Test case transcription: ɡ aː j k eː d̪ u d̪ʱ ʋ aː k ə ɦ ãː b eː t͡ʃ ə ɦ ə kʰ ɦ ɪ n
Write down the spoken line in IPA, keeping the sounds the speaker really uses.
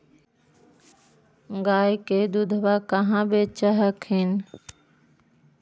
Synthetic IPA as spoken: ɡ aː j k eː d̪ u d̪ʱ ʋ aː k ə ɦ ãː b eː t͡ʃ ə ɦ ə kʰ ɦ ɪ n

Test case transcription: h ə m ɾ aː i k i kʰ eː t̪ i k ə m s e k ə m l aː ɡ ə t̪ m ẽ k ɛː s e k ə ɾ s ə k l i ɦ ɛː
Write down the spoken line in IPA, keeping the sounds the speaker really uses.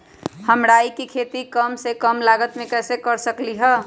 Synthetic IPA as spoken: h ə m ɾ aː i k i kʰ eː t̪ i k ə m s e k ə m l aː ɡ ə t̪ m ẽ k ɛː s e k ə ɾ s ə k l i ɦ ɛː

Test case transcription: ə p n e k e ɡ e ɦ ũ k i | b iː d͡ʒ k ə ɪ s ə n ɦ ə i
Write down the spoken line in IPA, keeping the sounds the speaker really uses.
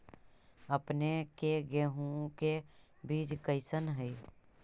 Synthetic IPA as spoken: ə p n e k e ɡ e ɦ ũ k e | b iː d͡ʒ k ə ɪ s ə n ɦ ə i

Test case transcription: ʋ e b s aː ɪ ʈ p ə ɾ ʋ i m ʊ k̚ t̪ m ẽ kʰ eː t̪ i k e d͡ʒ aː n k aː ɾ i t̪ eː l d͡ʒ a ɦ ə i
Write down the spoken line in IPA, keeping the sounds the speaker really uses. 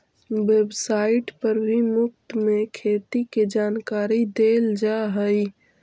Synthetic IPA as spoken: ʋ e b s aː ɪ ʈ p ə ɾ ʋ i m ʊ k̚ t̪ m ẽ kʰ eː t̪ i k e d͡ʒ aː n k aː ɾ i d̪ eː l d͡ʒ a ɦ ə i

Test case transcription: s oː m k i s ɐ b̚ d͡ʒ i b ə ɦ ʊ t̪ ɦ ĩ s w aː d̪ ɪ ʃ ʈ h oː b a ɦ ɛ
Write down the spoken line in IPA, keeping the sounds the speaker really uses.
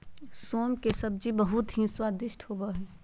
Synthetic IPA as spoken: s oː m k e s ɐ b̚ d͡ʒ i b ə ɦ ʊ t̪ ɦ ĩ s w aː d̪ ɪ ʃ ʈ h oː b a ɦ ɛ

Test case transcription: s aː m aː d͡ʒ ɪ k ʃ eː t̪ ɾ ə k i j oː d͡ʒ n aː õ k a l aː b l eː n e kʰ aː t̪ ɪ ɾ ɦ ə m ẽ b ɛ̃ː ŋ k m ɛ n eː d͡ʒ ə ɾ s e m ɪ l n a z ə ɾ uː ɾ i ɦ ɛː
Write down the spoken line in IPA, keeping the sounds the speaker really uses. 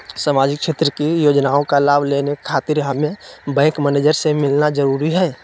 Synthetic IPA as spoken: s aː m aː d͡ʒ ɪ k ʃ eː t̪ ɾ ə k i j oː d͡ʒ n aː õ k a l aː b l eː n e kʰ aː t̪ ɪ ɾ ɦ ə m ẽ b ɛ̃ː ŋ k m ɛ n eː d͡ʒ ə ɾ s e m ɪ l n a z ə ɾ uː ɾ i ɦ ɛː

